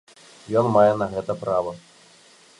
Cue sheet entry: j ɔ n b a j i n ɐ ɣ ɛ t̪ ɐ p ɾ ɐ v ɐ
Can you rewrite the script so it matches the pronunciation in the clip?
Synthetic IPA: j ɔ n m a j ɛ n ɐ ɣ ɛ t̪ ɐ p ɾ a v ɐ